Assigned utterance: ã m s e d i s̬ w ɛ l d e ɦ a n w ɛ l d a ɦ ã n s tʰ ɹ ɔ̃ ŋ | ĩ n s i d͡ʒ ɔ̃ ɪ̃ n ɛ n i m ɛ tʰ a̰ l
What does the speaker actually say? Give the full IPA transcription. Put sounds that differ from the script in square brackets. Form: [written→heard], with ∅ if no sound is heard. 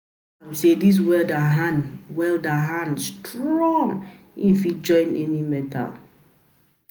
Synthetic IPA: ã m s e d i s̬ w ɛ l d [e→a] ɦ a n w ɛ l d a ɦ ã n s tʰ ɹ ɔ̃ ŋ | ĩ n [s→f] i d͡ʒ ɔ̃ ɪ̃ n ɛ n i m ɛ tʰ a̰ l

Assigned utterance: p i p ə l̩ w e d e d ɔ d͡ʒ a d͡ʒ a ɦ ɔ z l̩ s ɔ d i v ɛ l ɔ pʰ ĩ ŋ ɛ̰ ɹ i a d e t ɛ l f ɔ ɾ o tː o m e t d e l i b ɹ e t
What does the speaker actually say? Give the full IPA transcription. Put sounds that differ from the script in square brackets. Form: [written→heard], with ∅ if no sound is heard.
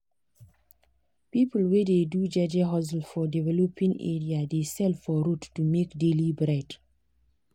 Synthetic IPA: p i p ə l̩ w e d e d [ɔ→u] d͡ʒ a d͡ʒ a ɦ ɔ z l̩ [s→f] ɔ d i v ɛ l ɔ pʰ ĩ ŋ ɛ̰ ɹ i a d e [t→s] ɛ l f ɔ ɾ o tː [o→u] m e [t→k] d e l i b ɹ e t

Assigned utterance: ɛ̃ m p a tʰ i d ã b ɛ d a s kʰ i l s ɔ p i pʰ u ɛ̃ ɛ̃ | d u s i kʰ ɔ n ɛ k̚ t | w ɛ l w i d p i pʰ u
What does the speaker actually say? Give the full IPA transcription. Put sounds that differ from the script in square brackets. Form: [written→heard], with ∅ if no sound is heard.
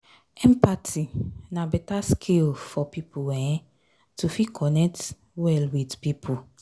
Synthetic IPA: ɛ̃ m p a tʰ i [d→n] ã b ɛ [d→t] a s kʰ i l [s→f] ɔ p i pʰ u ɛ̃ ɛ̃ | [d→t] u [s→f] i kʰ ɔ n ɛ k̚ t | w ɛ l w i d p i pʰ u

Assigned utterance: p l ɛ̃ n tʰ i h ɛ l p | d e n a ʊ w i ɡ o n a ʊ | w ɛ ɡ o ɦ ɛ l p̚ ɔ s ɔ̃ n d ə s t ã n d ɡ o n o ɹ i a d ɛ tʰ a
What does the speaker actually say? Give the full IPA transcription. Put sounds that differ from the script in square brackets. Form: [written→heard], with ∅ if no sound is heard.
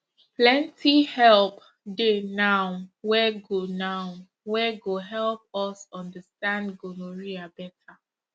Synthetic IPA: p l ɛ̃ n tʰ i h ɛ l p | d e n a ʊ w [i→ɛ] ɡ o n a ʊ | w ɛ ɡ o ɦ ɛ l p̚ ɔ s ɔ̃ n d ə s t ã n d ɡ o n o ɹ i a [d→b] ɛ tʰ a

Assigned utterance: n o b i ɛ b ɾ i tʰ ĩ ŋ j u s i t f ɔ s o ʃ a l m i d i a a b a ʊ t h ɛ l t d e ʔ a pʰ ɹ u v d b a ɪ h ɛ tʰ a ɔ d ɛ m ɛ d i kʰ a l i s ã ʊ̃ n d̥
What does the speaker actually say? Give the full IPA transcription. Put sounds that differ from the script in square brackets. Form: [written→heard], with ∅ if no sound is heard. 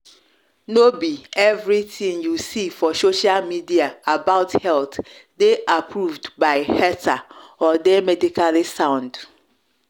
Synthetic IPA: n o b i ɛ [b→v] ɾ i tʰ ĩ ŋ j u s i [t→∅] f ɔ s o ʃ a l m i d i a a b a ʊ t h ɛ l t d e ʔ a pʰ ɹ u v d b a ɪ h ɛ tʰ a ɔ d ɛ m ɛ d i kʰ a l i s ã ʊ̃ n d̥

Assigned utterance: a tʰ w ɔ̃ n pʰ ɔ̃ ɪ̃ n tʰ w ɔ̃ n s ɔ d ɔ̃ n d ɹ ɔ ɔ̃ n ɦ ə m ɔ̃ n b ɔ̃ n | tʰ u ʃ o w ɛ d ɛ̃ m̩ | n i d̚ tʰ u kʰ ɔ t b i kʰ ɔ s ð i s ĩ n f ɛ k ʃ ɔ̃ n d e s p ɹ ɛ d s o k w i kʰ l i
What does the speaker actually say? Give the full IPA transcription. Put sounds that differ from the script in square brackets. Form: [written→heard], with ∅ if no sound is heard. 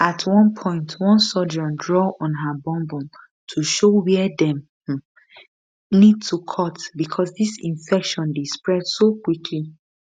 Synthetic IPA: a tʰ w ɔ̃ n pʰ ɔ̃ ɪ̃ n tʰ w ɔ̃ n s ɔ [d→d͡ʒ] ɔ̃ n d ɹ ɔ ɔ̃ n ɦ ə [m→b] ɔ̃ [n→m] b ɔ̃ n | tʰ u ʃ o w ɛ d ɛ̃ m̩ | n i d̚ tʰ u kʰ ɔ t b i kʰ ɔ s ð i s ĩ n f ɛ k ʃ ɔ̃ n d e s p ɹ ɛ d s o k w i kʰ l i

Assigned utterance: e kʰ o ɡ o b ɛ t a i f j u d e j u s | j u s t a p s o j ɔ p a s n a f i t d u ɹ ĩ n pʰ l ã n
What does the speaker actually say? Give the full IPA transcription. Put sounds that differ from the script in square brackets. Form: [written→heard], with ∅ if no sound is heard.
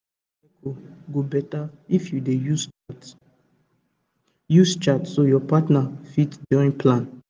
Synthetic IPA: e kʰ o ɡ o b ɛ t a i f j u d e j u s | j u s [t→t͡ʃ] a [p→t] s o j ɔ p a [s→t] n a f i t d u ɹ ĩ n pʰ l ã n

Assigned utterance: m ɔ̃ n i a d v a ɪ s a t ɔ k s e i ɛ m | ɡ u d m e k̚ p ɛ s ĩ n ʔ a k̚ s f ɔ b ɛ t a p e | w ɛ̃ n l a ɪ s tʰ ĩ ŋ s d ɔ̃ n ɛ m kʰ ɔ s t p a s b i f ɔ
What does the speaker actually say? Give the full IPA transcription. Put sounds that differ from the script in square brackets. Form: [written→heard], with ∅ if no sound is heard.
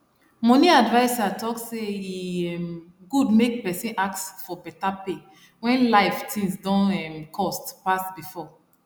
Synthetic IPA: m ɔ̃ n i a d v a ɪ s a t ɔ k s e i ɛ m | ɡ u d m e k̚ p ɛ s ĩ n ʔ a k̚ s f ɔ b ɛ t a p e | w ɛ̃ n l a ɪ [s→f] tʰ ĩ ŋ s d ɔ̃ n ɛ m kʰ ɔ s t p a s b i f ɔ

